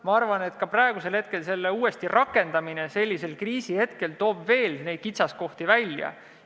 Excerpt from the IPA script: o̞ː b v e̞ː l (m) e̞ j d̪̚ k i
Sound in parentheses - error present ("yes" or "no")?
yes